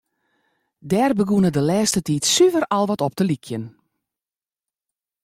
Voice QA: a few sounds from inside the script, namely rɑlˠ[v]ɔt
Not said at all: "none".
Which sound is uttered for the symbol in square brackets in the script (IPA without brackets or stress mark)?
ʋ